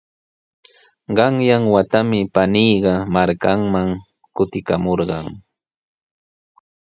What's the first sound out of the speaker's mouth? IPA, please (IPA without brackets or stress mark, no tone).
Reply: ɢ